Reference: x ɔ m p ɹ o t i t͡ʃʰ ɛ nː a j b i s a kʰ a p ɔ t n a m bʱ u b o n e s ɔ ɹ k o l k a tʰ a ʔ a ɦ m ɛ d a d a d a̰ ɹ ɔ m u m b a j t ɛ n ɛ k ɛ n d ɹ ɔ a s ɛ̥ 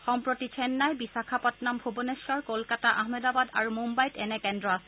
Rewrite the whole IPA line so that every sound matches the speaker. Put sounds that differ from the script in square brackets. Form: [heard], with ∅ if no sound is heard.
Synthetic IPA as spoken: x ɔ m p ɹ o t i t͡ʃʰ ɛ nː a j b i s a kʰ a p ɔ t n a m bʱ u b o n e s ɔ ɹ k o l k a [t] a ʔ a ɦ m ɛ d a [b] a d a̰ ɹ [u] m u m b a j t ɛ n ɛ k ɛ n d ɹ ɔ a s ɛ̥

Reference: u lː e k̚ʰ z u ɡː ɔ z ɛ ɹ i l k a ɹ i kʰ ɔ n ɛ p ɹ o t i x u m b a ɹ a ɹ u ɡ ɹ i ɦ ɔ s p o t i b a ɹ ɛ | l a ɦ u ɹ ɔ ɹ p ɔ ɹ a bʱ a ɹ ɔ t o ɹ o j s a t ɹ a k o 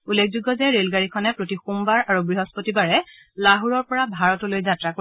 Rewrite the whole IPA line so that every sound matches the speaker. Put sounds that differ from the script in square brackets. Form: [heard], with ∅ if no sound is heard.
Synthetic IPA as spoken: u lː e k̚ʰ z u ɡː ɔ z ɛ ɹ [e] l [ɡ] a ɹ i kʰ ɔ n ɛ p ɹ o t i x u m b a ɹ a ɹ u ɡ ɹ i ɦ ɔ s p o t i b a ɹ ɛ | l a ɦ u ɹ ɔ ɹ p ɔ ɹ a bʱ a ɹ ɔ t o [l] o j [z] a t ɹ a k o

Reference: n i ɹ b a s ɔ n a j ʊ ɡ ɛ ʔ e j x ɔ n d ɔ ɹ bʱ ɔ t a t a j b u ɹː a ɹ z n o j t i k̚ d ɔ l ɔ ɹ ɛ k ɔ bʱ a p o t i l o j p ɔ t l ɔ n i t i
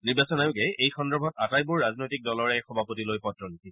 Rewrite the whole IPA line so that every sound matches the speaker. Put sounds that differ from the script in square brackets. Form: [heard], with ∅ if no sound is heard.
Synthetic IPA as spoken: n i ɹ b a s ɔ n a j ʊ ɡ ɛ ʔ e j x ɔ n d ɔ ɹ bʱ ɔ t a t a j b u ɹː a [∅] z n o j t i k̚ d ɔ l ɔ ɹ ɛ [x] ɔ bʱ a p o t i l o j p ɔ t [ɹ] ɔ n i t i

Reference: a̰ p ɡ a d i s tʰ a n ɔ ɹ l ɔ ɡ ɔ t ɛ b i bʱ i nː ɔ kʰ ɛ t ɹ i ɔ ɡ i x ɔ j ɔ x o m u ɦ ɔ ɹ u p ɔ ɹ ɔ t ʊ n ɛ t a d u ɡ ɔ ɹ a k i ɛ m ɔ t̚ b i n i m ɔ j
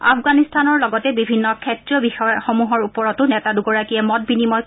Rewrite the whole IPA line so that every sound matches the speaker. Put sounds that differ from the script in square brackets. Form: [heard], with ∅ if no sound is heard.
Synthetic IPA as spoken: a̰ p ɡ a [n] i s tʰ a n ɔ ɹ l ɔ ɡ ɔ t ɛ b i bʱ i nː ɔ kʰ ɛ t ɹ i ɔ [b] i x ɔ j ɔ x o m u ɦ ɔ ɹ u p ɔ ɹ ɔ t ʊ n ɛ t a d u ɡ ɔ ɹ a k i ɛ m ɔ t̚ b i n i m ɔ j

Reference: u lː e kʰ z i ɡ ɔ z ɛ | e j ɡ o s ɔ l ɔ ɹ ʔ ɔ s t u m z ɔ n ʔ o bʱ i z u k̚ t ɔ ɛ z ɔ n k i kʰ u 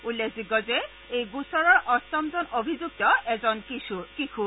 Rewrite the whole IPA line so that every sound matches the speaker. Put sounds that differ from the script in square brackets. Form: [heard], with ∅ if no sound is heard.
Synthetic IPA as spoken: u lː e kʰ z i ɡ ɔ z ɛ | e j ɡ [u] s ɔ [ɹ] ɔ ɹ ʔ ɔ s t [ɔ] m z ɔ n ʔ o bʱ i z u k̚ t ɔ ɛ z ɔ n k i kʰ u

